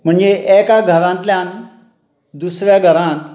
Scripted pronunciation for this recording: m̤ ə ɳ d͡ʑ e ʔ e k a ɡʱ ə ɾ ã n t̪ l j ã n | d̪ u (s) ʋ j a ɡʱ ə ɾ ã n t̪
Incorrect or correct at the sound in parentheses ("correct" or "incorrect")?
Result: correct